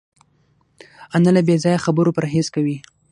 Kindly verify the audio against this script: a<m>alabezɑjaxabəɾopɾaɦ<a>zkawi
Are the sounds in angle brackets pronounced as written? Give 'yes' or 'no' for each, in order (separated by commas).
no, no